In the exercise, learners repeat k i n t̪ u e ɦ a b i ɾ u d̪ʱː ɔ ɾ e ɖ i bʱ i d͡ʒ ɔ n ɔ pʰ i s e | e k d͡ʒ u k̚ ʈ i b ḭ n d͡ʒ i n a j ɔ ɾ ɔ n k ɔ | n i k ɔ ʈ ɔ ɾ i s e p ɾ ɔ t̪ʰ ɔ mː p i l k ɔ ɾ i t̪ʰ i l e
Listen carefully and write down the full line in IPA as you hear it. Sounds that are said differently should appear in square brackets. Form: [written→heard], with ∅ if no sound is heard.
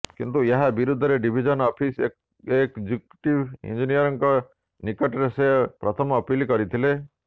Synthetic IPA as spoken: k i n t̪ u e ɦ a b i ɾ u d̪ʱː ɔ ɾ e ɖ i bʱ i d͡ʒ ɔ n ɔ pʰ i s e | e k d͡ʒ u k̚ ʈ i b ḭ n d͡ʒ i n [a→i] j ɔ ɾ ɔ [n→ŋ] k ɔ | n i k ɔ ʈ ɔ ɾ [i→e] s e p ɾ ɔ t̪ʰ ɔ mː p i l k ɔ ɾ i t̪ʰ i l e

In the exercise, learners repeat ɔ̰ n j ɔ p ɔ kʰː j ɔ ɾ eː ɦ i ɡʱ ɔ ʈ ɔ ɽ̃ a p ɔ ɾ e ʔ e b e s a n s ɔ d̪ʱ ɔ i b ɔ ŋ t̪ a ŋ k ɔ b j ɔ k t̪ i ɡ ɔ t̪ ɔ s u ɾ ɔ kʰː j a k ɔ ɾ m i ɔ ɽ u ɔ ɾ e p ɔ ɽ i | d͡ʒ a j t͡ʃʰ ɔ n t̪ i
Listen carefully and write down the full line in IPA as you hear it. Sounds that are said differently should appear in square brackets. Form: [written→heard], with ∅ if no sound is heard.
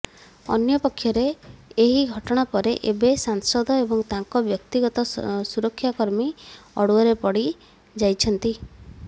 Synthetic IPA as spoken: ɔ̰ n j ɔ p ɔ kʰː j ɔ ɾ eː ɦ i ɡʱ ɔ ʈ ɔ ɽ̃ a p ɔ ɾ e ʔ e b e s a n s ɔ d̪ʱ ɔ [i→e] b ɔ ŋ t̪ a ŋ k ɔ b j ɔ k t̪ i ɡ ɔ t̪ ɔ s u ɾ ɔ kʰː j a k ɔ ɾ m i ɔ ɽ u ɔ ɾ e p ɔ ɽ i | d͡ʒ a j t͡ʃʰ ɔ n t̪ i

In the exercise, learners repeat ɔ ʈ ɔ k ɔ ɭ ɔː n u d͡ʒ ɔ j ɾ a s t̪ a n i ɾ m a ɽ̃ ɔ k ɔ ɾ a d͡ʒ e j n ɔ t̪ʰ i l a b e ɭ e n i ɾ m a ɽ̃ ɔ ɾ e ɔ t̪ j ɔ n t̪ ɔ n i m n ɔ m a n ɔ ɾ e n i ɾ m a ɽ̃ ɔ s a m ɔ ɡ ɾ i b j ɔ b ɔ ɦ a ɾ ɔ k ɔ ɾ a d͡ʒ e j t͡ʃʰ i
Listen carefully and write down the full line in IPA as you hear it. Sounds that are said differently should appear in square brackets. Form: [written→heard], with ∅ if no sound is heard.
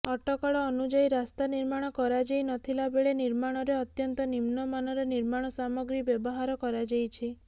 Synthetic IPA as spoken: ɔ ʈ ɔ k ɔ ɭ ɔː n u d͡ʒ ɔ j ɾ a s t̪ a n i ɾ m a ɽ̃ ɔ k ɔ ɾ a d͡ʒ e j n ɔ t̪ʰ i l a b e ɭ e n i ɾ m a ɽ̃ ɔ ɾ e ɔ t̪ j ɔ n t̪ ɔ n i m n ɔ m a n ɔ ɾ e n i ɾ m a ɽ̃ ɔ s a m ɔ ɡ ɾ i b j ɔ b ɔ ɦ a ɾ ɔ k ɔ ɾ a d͡ʒ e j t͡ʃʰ i

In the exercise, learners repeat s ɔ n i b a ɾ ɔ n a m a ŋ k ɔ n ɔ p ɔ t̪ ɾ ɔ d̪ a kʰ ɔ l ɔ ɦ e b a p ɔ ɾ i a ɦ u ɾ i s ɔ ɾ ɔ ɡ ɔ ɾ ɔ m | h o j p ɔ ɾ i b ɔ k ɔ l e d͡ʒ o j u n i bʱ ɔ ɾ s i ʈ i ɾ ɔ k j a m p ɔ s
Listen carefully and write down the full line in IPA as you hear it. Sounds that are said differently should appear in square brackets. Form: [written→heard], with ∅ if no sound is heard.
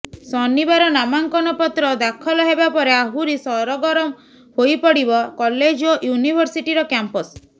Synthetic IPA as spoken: s ɔ n i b a ɾ ɔ n a m a ŋ k ɔ n ɔ p ɔ t̪ ɾ ɔ d̪ a kʰ ɔ l ɔ ɦ e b a p ɔ ɾ [i→e] a ɦ u ɾ i s ɔ ɾ ɔ ɡ ɔ ɾ ɔ m | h o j p ɔ [ɾ→ɽ] i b ɔ k ɔ l e d͡ʒ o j u n i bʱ ɔ ɾ s i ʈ i ɾ ɔ k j a m p ɔ s

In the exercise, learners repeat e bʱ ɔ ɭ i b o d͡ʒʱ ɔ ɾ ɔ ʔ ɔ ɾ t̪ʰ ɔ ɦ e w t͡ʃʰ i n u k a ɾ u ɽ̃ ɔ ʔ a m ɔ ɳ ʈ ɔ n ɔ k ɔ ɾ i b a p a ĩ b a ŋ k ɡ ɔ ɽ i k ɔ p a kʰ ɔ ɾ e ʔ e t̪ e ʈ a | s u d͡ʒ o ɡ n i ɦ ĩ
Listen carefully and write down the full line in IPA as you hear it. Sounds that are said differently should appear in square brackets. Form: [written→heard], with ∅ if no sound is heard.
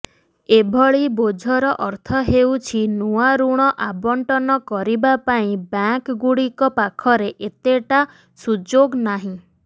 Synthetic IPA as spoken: e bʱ ɔ ɭ i b o d͡ʒʱ ɔ ɾ ɔ ʔ ɔ ɾ t̪ʰ ɔ ɦ e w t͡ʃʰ i n u [k→∅] a ɾ u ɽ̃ ɔ ʔ a [m→b] ɔ ɳ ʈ ɔ n ɔ k ɔ ɾ i b a p a ĩ b a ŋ k ɡ [ɔ→u] ɽ i k ɔ p a kʰ ɔ ɾ e ʔ e t̪ e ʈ a | s u d͡ʒ o ɡ n [i→a] ɦ ĩ

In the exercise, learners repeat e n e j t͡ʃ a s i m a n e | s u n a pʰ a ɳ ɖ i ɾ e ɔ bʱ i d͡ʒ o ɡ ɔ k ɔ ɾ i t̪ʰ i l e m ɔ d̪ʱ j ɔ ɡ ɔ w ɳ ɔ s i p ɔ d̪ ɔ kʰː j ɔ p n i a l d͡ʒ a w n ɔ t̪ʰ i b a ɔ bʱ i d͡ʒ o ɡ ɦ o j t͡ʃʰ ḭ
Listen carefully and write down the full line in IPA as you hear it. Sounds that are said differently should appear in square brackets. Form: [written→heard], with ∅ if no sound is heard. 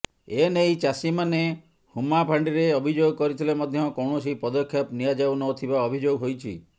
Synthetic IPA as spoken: e n e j t͡ʃ a s i m a n e | [s→h] u [n→m] a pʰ a ɳ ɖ i ɾ e ɔ bʱ i d͡ʒ o ɡ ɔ k ɔ ɾ i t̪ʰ i l e m ɔ d̪ʱ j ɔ [ɡ→k] ɔ w ɳ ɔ s i p ɔ d̪ ɔ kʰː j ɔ p n i a [l→∅] d͡ʒ a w n ɔ t̪ʰ i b a ɔ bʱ i d͡ʒ o ɡ ɦ o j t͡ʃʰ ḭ

